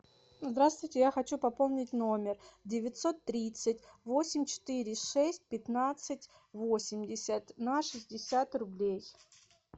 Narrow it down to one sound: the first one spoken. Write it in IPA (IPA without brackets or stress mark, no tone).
z